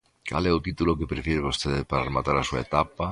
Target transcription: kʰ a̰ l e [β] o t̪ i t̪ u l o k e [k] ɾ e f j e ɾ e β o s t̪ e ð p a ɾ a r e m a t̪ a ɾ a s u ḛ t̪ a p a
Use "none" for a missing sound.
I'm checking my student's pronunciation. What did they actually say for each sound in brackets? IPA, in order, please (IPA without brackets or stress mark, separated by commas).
none, p